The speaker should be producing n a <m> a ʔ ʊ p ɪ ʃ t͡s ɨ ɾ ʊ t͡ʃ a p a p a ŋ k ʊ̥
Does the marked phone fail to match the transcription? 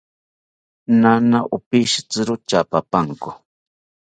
yes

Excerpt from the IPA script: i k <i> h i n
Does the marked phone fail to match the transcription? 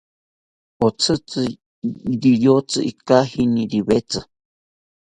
yes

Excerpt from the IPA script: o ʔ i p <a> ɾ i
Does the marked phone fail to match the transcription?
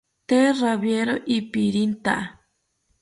yes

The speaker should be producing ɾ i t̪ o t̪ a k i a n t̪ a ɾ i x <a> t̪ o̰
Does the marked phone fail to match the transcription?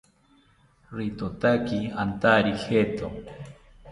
yes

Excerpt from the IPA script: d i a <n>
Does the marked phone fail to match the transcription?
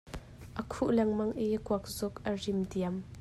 yes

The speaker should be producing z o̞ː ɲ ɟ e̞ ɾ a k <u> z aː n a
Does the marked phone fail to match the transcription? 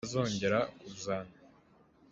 no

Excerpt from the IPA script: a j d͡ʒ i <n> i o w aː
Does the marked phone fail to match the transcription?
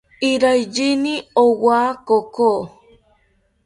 no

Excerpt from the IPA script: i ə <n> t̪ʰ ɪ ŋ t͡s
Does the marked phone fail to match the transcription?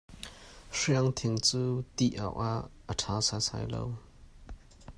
yes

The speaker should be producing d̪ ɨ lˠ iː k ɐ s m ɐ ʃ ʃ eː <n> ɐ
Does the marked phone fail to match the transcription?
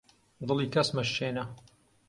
no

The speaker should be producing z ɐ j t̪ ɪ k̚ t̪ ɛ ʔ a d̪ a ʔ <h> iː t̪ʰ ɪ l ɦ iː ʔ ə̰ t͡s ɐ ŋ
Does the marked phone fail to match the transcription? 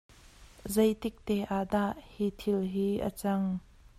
no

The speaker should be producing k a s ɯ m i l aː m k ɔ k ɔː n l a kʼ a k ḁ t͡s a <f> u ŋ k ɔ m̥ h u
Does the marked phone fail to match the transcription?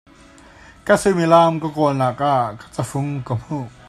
no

